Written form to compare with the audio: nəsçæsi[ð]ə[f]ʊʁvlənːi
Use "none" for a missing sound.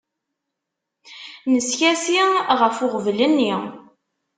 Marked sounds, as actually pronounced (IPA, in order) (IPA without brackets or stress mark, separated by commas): ʁ, f